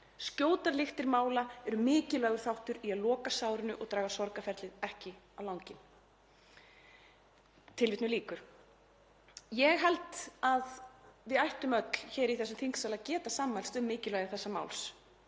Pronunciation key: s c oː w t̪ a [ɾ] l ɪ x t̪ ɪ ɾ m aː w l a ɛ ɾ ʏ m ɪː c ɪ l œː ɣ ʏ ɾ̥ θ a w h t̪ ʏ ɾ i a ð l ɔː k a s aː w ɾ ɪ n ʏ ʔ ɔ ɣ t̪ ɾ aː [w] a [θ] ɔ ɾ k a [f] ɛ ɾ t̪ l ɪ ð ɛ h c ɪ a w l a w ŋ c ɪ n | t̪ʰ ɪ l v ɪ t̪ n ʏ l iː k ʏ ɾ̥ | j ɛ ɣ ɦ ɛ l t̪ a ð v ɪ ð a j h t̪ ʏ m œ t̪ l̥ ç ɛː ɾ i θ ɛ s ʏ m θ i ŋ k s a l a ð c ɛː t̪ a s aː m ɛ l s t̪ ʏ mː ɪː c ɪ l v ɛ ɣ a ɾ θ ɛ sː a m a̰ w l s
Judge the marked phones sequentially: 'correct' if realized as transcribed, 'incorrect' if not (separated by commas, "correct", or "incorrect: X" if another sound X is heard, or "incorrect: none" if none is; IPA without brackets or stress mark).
correct, incorrect: ɣ, incorrect: s, correct